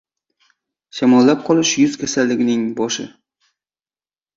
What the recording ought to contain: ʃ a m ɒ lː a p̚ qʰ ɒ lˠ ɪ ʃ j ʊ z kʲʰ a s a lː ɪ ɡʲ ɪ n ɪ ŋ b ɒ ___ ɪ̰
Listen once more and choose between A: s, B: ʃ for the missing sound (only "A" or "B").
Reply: B